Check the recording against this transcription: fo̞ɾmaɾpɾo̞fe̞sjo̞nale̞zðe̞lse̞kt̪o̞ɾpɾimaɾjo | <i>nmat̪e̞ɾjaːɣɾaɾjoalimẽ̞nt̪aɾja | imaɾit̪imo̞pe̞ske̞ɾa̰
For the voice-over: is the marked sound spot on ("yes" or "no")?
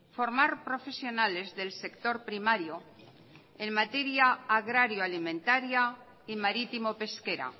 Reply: no